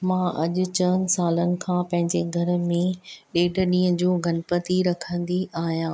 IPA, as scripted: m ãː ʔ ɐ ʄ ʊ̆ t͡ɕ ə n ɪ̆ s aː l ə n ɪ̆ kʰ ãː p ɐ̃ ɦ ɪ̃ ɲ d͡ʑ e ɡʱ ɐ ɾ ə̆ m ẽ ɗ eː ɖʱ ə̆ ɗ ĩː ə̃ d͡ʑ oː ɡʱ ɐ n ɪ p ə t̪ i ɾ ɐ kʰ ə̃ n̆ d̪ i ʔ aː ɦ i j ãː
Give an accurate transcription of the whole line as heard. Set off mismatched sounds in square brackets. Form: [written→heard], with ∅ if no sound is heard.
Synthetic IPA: m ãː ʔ ɐ ʄ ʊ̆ t͡ɕ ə n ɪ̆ s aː l ə n ɪ̆ kʰ ãː p ɐ̃ ɦ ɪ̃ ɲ d͡ʑ e ɡʱ ɐ ɾ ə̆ m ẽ ɗ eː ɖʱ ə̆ ɗ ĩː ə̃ d͡ʑ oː ɡʱ ɐ n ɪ p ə t̪ i ɾ ɐ kʰ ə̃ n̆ d̪ i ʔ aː ɦ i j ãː